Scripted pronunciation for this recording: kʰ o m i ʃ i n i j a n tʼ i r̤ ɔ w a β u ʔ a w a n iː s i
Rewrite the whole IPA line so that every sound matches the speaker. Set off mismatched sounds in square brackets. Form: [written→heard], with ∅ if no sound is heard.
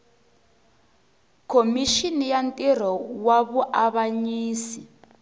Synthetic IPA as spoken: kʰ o m i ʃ i n i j a n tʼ i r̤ ɔ w a β u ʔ a [w→β] a [n→ɲ] iː s i